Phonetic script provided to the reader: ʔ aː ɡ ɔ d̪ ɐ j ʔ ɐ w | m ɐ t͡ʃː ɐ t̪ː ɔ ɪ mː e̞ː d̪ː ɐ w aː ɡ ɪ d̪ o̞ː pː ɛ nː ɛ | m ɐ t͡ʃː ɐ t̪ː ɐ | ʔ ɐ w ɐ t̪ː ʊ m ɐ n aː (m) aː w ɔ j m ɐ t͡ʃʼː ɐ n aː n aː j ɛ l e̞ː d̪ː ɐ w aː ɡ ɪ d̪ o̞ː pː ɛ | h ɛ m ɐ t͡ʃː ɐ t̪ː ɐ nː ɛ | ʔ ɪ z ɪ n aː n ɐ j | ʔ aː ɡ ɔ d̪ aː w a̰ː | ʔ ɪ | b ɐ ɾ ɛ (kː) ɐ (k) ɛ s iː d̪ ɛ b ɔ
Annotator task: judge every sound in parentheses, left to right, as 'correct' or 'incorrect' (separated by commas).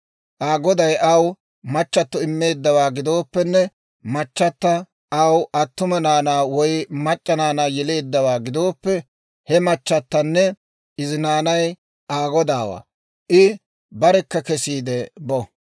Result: incorrect, correct, correct